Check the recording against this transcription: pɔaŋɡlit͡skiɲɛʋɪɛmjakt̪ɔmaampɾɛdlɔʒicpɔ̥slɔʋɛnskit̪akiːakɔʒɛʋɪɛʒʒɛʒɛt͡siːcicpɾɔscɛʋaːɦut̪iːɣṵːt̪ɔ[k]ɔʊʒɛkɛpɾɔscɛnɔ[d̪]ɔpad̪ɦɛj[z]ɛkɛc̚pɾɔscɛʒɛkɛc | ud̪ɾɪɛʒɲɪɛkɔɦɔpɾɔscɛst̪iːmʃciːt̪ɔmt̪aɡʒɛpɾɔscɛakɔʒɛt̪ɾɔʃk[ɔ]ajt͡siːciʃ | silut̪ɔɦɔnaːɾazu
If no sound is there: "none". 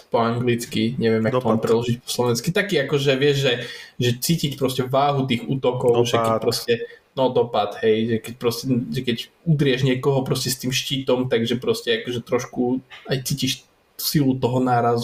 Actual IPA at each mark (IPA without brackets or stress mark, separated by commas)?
k, d̪, ʒ, u